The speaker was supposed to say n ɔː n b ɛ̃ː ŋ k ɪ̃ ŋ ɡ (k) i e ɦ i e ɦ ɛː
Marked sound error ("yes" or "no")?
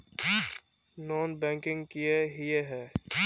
no